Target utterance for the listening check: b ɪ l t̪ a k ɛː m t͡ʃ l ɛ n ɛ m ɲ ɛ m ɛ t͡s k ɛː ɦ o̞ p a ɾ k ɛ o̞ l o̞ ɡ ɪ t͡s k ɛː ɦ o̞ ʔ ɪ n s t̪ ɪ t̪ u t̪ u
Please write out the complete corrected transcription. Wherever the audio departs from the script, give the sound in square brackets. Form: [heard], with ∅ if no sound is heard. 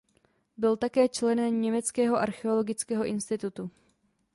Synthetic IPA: b ɪ l t̪ a k ɛː [∅] t͡ʃ l ɛ n ɛ m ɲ ɛ m ɛ t͡s k ɛː ɦ o̞ [ʔ] a ɾ [x] ɛ o̞ l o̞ ɡ ɪ t͡s k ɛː ɦ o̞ ʔ ɪ n s t̪ ɪ t̪ u t̪ u